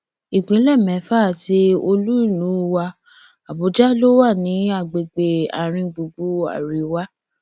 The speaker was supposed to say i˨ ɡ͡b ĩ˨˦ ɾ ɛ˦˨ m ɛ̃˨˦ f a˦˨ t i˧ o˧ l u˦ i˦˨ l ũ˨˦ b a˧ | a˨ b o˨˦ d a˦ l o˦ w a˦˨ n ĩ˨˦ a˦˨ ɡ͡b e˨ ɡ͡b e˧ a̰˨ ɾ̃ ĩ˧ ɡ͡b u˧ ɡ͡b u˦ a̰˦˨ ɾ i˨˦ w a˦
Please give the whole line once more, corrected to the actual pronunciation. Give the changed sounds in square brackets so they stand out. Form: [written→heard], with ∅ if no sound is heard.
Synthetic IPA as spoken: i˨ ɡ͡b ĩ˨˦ [ɾ→l] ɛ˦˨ m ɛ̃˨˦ f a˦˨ t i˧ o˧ l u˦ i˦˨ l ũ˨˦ [b→w] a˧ | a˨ b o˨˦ [d→d͡ʒ] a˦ l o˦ w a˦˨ n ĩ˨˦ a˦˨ ɡ͡b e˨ ɡ͡b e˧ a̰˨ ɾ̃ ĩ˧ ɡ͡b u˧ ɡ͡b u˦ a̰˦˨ ɾ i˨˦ w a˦